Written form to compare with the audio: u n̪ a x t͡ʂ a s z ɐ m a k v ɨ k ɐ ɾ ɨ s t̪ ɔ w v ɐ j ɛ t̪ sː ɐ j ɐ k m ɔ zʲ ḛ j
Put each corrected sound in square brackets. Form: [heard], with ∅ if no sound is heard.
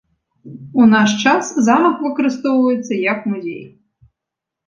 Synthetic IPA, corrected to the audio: u n̪ a [ʂ] t͡ʂ a s z [a] m [ɐ] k v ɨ k ɐ ɾ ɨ s t̪ ɔ w v ɐ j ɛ t̪ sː ɐ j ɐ k m [u] zʲ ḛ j